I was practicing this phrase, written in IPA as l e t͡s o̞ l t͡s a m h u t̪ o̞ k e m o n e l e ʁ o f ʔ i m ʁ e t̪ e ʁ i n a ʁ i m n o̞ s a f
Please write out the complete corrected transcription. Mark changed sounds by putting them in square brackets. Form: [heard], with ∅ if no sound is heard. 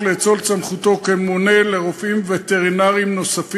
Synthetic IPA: l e t͡s o̞ l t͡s a m [χ] u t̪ o̞ k e m o n e l e ʁ o f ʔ i m [v] e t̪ e ʁ i n a ʁ i m n o̞ s a f